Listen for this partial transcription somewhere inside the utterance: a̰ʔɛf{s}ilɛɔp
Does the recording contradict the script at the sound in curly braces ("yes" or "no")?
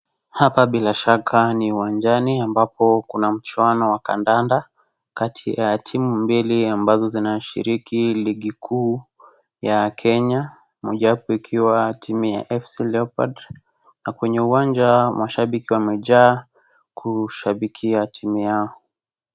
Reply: no